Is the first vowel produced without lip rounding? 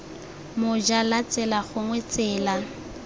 no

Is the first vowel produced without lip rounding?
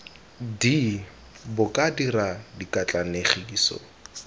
yes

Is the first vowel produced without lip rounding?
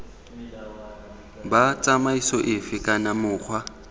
yes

